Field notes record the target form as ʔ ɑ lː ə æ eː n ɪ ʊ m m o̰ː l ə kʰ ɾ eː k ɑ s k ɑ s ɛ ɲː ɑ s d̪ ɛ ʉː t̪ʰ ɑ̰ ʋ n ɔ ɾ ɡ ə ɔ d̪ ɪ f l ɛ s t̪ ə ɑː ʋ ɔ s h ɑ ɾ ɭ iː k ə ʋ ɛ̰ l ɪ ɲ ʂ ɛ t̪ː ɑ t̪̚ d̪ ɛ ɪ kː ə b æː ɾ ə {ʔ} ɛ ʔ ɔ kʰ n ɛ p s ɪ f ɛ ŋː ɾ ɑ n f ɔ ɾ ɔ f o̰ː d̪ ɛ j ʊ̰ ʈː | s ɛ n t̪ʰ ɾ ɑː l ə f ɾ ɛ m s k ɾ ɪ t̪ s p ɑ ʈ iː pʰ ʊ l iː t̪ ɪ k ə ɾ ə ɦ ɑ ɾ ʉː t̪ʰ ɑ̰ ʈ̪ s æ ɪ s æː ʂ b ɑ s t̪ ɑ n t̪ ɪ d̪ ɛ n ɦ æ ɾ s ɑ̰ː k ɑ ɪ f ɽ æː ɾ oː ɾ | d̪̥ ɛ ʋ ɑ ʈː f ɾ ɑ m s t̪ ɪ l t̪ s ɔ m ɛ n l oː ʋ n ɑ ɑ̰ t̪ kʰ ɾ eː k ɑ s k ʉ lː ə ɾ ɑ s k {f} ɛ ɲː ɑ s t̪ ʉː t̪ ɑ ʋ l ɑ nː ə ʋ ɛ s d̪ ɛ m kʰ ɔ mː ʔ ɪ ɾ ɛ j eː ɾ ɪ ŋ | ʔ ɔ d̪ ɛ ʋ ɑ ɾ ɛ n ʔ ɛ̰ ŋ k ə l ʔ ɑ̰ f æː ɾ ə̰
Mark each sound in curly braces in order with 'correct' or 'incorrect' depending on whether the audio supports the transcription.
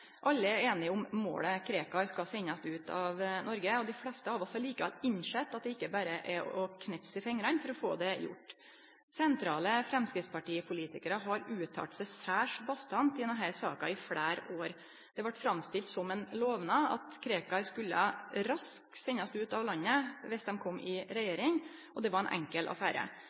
correct, incorrect

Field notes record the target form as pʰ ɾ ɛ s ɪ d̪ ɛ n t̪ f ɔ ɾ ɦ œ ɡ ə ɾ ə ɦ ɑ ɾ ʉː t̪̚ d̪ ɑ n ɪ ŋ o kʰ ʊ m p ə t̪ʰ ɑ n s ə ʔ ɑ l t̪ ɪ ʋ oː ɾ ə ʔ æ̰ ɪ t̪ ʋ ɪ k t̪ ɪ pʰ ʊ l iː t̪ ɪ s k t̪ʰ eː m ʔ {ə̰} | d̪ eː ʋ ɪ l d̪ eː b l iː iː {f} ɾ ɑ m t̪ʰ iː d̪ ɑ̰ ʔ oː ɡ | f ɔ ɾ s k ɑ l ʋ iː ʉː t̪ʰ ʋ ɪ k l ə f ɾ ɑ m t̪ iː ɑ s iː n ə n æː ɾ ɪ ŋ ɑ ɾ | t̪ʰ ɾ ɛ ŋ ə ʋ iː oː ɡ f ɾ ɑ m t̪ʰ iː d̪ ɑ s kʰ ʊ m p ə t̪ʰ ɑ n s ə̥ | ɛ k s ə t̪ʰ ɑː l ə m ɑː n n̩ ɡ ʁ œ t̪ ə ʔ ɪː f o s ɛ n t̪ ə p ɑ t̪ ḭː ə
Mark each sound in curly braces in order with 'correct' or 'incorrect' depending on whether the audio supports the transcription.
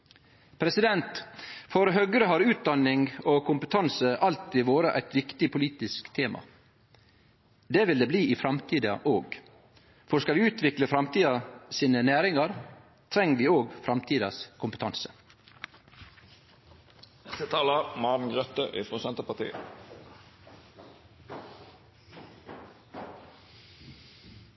incorrect, correct

